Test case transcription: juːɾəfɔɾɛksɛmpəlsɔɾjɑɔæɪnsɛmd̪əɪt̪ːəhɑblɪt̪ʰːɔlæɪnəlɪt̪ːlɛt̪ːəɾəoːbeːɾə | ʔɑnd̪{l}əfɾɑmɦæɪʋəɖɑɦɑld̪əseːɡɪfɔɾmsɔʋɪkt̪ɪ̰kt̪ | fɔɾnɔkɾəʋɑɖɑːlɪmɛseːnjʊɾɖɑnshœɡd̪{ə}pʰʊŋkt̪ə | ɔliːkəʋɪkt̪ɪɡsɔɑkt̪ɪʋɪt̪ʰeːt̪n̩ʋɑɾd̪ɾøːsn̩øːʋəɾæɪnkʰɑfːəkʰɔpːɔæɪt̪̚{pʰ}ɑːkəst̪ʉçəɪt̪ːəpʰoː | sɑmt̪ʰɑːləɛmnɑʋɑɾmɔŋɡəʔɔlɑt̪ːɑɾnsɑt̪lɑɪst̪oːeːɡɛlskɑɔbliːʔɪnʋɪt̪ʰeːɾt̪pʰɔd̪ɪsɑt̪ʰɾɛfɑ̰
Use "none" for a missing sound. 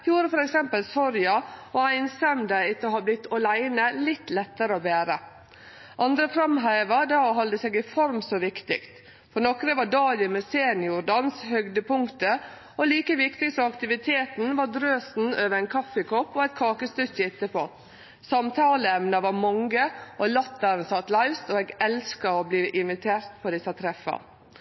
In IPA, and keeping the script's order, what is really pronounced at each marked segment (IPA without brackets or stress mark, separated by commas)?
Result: ɾ, ə, kʰ